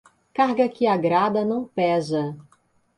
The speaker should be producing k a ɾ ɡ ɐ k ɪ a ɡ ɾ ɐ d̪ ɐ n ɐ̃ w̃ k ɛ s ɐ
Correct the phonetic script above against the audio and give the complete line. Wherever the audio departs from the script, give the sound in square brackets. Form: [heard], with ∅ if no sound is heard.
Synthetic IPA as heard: k a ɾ ɡ ɐ k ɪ a ɡ ɾ [a] d̪ ɐ n ɐ̃ w̃ [p] ɛ [z] ɐ